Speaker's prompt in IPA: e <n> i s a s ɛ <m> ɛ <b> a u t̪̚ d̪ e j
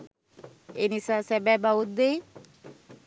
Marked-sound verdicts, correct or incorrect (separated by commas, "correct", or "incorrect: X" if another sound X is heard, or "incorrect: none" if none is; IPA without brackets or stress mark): correct, incorrect: b, correct